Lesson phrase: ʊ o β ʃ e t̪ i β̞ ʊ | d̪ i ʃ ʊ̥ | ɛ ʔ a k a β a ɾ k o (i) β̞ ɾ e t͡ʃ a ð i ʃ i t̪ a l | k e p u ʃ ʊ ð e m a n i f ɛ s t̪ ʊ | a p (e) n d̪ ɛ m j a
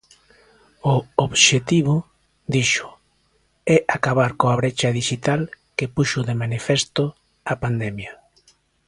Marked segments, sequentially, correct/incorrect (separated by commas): incorrect, incorrect